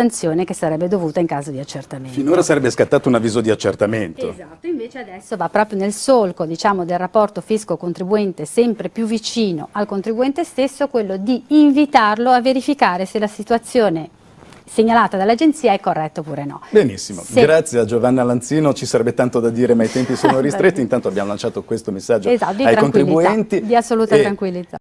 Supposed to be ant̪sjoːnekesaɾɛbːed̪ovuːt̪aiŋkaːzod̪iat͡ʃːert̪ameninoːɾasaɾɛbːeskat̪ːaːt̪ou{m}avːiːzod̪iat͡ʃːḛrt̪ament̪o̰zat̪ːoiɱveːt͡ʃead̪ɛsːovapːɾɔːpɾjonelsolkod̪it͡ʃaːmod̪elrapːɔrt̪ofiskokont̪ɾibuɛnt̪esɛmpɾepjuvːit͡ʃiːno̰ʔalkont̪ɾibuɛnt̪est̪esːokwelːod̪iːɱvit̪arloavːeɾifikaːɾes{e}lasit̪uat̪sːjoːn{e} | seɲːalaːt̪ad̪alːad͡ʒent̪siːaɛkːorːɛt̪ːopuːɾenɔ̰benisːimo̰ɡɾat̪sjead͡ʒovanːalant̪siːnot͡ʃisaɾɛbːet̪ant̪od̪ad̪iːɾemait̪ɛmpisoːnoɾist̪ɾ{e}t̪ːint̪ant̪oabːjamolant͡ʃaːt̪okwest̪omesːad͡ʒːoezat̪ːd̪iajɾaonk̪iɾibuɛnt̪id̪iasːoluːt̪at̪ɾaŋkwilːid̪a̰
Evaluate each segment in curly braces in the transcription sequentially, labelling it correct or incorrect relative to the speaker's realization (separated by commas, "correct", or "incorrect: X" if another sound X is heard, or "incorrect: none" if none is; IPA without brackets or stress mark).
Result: incorrect: n, correct, correct, correct